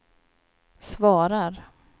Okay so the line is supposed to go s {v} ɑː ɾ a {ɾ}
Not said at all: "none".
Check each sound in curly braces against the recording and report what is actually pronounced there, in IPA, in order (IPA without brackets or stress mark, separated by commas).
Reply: v, ɾ